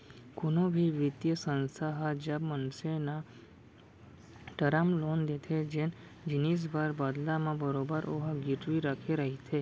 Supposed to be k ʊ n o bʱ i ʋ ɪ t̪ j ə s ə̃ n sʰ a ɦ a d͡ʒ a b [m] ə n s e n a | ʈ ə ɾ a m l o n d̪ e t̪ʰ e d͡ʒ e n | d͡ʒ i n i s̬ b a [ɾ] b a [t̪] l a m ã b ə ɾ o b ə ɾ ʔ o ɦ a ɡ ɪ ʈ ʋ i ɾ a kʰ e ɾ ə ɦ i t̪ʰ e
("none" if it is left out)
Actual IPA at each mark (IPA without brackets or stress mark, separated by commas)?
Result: m, ɾ, d̪